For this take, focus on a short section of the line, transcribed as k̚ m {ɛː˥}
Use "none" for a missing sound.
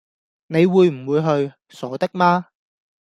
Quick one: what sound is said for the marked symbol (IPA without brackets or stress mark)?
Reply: aː˥